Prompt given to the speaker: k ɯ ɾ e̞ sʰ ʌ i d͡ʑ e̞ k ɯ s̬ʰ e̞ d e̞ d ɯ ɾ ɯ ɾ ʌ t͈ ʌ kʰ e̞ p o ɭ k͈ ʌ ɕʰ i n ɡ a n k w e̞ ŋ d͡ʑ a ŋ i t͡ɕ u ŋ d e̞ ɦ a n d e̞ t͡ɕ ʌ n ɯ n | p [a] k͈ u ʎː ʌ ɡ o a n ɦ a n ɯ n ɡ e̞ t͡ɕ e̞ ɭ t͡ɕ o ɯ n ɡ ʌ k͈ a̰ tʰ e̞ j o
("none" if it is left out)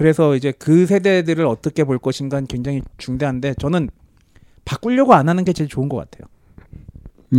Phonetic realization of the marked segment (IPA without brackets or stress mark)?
a